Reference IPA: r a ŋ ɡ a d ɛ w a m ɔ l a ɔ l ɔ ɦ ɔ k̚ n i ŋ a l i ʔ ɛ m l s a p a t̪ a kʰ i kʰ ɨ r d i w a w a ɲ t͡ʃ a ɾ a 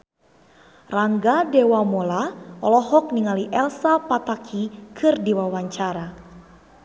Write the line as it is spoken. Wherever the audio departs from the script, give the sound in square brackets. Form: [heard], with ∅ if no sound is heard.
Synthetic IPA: r a ŋ ɡ a d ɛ w a m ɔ l a ɔ l ɔ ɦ ɔ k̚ n i ŋ a l i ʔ ɛ [∅] l s a p a t̪ a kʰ i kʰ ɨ r d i w a w a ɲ t͡ʃ a ɾ a

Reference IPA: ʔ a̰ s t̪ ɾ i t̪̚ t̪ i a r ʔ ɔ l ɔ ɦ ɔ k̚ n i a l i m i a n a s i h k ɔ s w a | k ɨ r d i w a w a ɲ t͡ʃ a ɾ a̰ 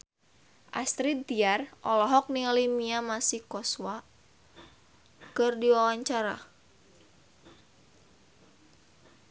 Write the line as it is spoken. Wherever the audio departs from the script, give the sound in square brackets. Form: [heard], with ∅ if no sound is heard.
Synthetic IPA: ʔ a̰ s t̪ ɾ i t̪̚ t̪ i a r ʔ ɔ l ɔ ɦ ɔ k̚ n i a l i m i a [m] a s i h k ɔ s w a | k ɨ r d i w a w a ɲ t͡ʃ a ɾ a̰

